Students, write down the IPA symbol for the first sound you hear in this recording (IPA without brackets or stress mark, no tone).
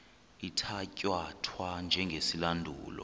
i